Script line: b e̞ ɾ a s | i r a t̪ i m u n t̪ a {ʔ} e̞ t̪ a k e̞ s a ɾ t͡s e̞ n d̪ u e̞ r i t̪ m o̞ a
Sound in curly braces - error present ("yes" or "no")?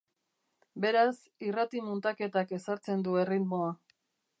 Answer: yes